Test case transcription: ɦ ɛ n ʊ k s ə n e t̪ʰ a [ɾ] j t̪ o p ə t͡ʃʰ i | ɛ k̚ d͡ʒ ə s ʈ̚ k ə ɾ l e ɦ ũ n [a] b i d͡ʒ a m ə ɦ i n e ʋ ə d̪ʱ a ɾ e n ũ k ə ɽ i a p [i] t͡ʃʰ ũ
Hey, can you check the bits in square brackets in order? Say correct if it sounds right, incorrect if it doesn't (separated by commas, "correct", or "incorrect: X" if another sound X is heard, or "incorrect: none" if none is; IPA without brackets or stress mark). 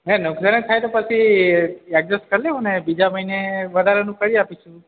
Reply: incorrect: none, incorrect: e, correct